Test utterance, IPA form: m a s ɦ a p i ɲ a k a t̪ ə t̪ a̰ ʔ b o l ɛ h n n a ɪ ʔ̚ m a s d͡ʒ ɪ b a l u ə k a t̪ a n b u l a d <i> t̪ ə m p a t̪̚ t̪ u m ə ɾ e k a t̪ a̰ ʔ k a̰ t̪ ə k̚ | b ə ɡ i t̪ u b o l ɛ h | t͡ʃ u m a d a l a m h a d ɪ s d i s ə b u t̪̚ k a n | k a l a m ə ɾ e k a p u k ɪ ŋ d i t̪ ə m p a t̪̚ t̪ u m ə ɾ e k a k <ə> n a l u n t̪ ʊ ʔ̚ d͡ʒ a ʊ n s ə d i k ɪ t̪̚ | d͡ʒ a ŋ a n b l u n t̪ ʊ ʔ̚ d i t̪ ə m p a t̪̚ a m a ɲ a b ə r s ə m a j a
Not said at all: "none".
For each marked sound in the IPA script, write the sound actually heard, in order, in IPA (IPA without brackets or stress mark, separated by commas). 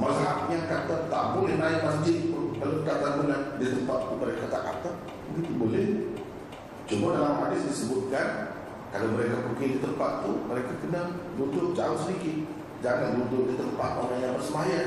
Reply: i, ə